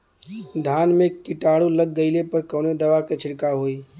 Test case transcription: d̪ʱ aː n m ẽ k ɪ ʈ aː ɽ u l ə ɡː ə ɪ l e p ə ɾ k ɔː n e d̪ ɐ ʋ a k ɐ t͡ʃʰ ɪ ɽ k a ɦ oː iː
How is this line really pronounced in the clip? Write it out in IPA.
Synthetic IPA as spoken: d̪ʱ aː n m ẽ k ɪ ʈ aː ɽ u l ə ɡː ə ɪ l e p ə ɾ k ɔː n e d̪ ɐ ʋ a k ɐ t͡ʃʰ ɪ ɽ k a ɦ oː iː